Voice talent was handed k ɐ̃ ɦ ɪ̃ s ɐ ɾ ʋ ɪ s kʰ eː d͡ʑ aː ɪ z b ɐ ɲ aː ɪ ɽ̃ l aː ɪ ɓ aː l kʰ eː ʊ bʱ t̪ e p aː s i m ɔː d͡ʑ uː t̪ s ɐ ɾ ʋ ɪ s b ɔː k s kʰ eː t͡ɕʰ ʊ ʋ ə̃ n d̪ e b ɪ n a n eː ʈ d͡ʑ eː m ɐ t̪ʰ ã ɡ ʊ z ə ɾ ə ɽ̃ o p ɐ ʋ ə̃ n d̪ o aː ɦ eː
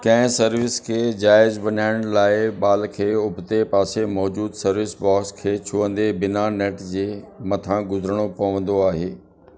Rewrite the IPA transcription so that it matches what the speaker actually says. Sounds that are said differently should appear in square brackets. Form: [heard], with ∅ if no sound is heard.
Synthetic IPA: k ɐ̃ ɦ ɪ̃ s ɐ ɾ ʋ ɪ s kʰ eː d͡ʑ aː ɪ z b ɐ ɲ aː ɪ ɽ̃ l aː ɪ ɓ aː l kʰ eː ʊ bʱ t̪ e p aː s [e] m ɔː d͡ʑ uː [d̪] s ɐ ɾ ʋ ɪ s b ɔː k s kʰ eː t͡ɕʰ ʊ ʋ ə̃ n d̪ e b ɪ n a n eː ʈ d͡ʑ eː m ɐ t̪ʰ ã ɡ ʊ z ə ɾ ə ɽ̃ o p ɐ ʋ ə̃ n d̪ o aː ɦ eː